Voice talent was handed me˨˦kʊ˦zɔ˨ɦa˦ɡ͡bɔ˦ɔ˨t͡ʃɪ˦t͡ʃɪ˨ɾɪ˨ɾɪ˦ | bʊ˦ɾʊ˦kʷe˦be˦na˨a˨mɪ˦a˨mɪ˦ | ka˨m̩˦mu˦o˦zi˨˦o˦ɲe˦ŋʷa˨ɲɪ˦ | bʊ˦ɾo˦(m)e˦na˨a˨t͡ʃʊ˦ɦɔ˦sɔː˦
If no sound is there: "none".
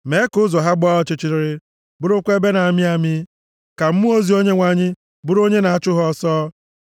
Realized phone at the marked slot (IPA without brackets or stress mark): ɲ